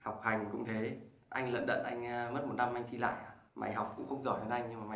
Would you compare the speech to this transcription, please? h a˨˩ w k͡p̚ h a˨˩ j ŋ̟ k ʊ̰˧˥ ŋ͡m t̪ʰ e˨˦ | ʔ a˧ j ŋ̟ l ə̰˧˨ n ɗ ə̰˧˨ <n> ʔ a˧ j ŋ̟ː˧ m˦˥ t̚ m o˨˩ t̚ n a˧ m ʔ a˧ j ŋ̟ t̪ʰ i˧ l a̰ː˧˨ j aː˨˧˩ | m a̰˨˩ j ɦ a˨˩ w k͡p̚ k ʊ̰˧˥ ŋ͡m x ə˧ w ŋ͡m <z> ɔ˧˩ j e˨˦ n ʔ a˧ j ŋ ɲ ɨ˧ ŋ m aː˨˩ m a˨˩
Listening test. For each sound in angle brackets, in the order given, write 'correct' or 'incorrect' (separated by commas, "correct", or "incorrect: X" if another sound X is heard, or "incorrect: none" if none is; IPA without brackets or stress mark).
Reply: correct, correct